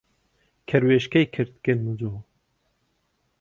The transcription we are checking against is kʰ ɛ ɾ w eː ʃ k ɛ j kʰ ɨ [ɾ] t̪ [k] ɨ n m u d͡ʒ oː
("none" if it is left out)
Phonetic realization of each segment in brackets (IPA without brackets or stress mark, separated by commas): ɾ, k